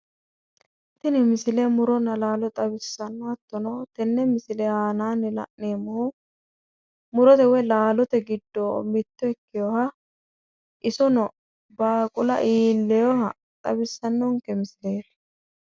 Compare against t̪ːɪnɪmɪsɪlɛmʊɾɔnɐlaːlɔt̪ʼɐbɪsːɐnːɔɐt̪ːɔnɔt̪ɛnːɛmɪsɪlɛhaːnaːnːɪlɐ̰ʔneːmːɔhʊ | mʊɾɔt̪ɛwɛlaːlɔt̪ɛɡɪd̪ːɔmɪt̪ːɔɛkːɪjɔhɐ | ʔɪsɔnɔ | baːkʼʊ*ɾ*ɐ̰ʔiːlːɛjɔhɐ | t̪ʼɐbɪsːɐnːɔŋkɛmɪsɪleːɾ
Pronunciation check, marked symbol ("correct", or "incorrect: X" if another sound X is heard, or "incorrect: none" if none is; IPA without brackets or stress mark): incorrect: l